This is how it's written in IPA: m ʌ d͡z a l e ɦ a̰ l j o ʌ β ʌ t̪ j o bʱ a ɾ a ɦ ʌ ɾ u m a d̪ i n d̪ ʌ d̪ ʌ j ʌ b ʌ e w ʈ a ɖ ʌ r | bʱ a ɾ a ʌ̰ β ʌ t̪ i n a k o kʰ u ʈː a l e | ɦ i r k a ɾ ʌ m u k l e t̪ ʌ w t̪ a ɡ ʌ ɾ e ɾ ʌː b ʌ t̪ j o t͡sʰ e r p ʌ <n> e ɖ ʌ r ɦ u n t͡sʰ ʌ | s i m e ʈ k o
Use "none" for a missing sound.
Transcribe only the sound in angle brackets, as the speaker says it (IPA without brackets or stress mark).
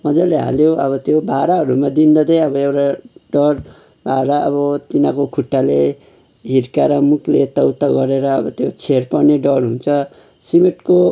n